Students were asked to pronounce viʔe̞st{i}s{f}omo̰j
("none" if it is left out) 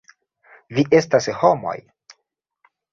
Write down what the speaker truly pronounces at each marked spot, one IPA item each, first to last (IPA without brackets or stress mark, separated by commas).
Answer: a, h